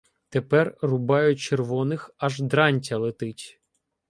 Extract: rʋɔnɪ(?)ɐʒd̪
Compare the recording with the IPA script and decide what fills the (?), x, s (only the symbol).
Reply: x